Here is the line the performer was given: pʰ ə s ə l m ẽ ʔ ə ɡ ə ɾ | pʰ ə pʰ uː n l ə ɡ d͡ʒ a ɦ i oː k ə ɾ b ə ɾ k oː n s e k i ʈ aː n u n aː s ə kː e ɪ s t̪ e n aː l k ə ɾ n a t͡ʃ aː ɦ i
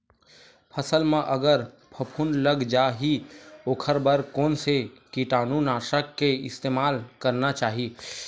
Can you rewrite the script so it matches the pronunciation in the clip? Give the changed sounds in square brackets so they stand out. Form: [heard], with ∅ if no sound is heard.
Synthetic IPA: pʰ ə s ə l m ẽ ʔ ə ɡ ə ɾ | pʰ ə pʰ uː n l ə ɡ d͡ʒ a ɦ i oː [kʰ] ə ɾ b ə ɾ k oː n s e k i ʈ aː n u n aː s ə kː e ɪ s t̪ e [m] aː l k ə ɾ n a t͡ʃ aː ɦ i